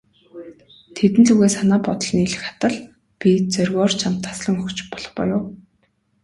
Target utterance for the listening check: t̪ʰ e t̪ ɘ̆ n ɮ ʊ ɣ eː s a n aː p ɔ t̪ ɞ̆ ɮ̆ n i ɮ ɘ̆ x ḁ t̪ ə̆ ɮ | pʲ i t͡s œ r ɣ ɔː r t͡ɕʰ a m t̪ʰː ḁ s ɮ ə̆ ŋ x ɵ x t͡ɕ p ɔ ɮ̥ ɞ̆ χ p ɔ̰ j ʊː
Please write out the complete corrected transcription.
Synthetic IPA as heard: t̪ʰ e t̪ ɘ̆ n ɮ u ɣ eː s a n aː p ɔ t̪ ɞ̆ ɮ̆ n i ɮ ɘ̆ x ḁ t̪ ə̆ ɮ | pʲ i t͡s œ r ɣ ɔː r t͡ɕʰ a m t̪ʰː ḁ s ɮ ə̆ ŋ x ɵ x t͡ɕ p ɔ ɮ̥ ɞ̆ χ p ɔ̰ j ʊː